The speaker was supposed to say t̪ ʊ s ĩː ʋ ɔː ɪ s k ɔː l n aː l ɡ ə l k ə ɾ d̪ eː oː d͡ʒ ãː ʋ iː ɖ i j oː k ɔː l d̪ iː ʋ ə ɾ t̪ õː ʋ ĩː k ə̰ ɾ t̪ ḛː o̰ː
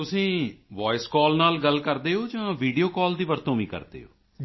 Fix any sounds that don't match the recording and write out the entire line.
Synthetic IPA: t̪ ʊ s ĩː ʋ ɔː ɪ s k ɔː l n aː l ɡ ə l k ə ɾ d̪ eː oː d͡ʒ ãː ʋ iː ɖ i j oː k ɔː l d̪ iː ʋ ə ɾ t̪ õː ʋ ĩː k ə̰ ɾ d̪ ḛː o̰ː